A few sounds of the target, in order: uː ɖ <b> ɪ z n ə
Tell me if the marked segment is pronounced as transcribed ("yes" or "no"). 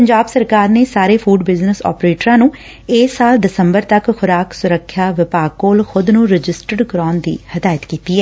yes